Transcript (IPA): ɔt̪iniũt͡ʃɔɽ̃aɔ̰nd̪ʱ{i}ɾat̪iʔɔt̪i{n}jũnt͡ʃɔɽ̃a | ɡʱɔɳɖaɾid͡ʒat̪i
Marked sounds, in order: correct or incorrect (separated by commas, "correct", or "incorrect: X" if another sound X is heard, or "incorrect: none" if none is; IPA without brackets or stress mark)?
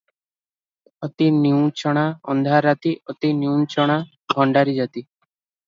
incorrect: a, correct